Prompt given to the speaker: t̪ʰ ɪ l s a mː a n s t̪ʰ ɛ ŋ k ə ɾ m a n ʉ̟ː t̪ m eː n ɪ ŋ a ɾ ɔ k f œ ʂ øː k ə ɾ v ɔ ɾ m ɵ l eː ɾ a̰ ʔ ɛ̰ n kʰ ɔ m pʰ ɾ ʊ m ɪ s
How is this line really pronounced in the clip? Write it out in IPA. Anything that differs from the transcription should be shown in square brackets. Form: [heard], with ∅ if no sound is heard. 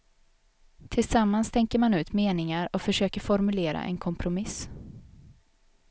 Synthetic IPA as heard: t̪ʰ ɪ l s a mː a n s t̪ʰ ɛ ŋ k ə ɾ m a n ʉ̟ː t̪ m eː n ɪ ŋ a ɾ ɔ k f œ ʂ øː k ə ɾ [f] ɔ ɾ m ɵ l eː ɾ a̰ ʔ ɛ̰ n kʰ ɔ m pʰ ɾ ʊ m ɪ s

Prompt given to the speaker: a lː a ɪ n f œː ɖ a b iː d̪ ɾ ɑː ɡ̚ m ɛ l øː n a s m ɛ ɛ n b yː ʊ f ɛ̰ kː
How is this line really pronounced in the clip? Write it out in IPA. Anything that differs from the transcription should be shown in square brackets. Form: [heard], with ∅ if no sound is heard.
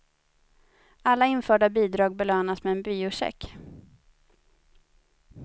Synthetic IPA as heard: a lː a ɪ n f œː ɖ a b iː d̪ ɾ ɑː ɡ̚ [b] ɛ l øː n a s m ɛ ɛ n b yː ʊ [ʂ] ɛ̰ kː

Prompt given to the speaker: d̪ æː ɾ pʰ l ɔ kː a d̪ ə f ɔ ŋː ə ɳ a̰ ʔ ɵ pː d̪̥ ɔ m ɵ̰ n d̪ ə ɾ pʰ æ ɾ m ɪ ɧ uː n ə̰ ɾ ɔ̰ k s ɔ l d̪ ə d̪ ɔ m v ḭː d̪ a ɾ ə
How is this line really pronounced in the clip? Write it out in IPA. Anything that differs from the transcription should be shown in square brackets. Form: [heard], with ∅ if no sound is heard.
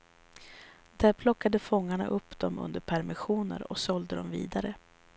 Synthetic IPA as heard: d̪ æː ɾ pʰ l ɔ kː a d̪ ə f ɔ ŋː [a] ɳ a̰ ʔ ɵ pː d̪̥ ɔ m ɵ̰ n d̪ ə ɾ pʰ æ ɾ m ɪ ɧ uː n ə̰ ɾ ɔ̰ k s ɔ l d̪ ə d̪ ɔ m v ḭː d̪ a ɾ ə

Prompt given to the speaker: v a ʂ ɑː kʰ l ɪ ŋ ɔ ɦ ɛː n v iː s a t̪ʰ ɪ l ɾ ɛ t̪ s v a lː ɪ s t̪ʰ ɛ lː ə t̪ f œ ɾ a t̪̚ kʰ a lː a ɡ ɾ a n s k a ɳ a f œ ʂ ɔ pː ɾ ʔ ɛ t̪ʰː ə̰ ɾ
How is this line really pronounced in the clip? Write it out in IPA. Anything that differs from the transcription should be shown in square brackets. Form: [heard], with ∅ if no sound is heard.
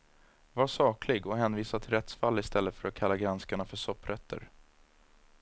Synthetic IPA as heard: v a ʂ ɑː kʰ l ɪ [ɡ] ɔ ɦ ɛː n v iː s a t̪ʰ ɪ l ɾ ɛ t̪ s [f] a lː ɪ s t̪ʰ ɛ lː ə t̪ f œ ɾ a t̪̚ kʰ a lː a ɡ ɾ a n s k a ɳ a f œ ʂ ɔ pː ɾ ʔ ɛ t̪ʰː ə̰ ɾ

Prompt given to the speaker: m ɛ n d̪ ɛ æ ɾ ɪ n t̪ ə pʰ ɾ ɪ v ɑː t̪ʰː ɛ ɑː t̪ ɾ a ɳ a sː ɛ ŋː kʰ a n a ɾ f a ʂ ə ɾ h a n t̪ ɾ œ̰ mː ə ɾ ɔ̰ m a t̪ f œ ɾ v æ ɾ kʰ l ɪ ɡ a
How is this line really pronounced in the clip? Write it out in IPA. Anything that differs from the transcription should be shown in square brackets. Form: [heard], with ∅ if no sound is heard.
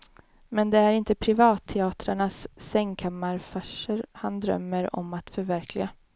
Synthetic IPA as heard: m ɛ n d̪ ɛ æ ɾ ɪ n t̪ ə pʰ ɾ ɪ v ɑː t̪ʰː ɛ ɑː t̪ ɾ a ɳ a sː ɛ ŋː kʰ a [m] a ɾ f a ʂ ə ɾ h a n [d̪] ɾ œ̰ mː ə ɾ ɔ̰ m a t̪ f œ ɾ v æ ɾ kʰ l ɪ ɡ a

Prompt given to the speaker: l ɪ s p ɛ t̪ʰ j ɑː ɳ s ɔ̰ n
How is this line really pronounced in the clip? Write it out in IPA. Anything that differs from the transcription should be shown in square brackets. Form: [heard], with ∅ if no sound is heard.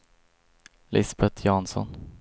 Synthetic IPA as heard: l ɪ s [b] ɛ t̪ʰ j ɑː [n] s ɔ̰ n

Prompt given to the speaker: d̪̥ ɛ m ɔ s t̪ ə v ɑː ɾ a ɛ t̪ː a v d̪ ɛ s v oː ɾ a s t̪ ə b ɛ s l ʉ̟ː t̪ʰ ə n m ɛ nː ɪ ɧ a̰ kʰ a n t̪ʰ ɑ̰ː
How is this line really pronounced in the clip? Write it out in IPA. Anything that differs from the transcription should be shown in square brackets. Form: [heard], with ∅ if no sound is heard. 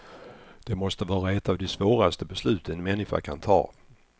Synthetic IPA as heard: d̪̥ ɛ m ɔ s t̪ ə v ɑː ɾ a ɛ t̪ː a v d̪ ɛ s v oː ɾ a s t̪ ə b ɛ s l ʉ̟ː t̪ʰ ə n m ɛ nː ɪ ɧ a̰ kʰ a n t̪ʰ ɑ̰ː

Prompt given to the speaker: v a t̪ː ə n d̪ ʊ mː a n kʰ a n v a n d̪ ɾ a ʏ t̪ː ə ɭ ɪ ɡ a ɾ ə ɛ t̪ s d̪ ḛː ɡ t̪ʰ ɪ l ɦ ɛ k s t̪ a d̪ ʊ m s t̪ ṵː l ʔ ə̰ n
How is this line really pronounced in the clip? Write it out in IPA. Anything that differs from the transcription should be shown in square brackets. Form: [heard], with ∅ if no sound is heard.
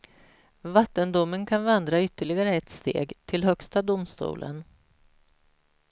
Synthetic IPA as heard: v a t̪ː ə n d̪ ʊ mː [ə] n kʰ a n v a n d̪ ɾ a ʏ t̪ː ə ɭ ɪ ɡ a ɾ ə ɛ t̪ s [t̪] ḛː ɡ t̪ʰ ɪ l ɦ [œ] k s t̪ a d̪ ʊ m s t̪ ṵː l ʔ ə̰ n

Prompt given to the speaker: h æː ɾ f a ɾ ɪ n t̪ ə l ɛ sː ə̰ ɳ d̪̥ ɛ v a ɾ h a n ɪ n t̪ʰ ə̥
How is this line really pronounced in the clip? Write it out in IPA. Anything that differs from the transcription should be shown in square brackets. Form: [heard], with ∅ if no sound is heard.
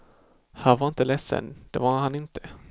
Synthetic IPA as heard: h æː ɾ [v] a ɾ ɪ n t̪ ə l ɛ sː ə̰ [n] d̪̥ ɛ v a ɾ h a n ɪ n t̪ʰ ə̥

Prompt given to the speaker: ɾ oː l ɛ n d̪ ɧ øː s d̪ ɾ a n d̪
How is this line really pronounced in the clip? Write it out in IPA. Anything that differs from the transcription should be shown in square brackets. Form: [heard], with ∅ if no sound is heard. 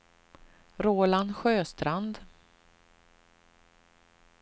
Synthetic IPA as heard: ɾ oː l [a] n d̪ ɧ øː s [t̪] ɾ a n d̪

